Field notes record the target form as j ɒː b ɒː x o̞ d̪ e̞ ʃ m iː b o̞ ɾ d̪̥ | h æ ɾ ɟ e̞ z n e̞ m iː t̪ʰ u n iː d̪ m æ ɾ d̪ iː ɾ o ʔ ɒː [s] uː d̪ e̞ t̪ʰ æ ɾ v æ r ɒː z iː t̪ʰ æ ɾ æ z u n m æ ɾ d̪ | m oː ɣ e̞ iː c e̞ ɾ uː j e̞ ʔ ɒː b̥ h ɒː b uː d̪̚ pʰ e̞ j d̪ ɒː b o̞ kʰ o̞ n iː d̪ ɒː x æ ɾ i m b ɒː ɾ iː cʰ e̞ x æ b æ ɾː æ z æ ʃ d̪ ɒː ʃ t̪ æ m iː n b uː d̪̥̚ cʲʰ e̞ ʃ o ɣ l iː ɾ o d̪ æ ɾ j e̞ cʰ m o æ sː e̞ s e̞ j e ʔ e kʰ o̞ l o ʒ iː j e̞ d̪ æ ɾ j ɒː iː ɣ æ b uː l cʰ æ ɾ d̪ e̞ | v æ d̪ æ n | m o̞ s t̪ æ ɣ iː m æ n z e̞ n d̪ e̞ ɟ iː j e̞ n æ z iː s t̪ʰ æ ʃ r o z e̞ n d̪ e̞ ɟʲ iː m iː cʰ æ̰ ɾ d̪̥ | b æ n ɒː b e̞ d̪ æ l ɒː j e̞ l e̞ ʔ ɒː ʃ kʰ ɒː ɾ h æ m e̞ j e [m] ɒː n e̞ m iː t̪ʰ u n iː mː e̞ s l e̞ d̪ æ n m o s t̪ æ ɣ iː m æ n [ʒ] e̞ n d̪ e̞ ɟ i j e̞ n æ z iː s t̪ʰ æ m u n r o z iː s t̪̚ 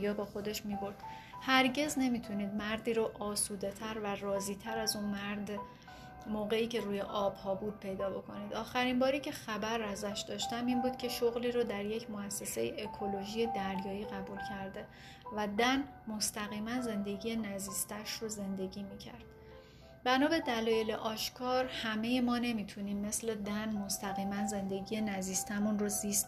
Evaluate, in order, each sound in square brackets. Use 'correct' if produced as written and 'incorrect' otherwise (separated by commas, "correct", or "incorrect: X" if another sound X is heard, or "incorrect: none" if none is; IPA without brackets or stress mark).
correct, correct, incorrect: z